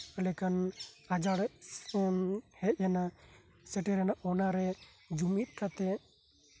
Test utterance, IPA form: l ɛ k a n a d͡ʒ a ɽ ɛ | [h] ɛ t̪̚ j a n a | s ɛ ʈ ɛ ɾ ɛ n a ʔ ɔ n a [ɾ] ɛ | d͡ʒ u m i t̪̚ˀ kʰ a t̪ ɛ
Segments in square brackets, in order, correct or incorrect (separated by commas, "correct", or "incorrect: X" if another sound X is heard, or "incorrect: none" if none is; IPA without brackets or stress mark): correct, correct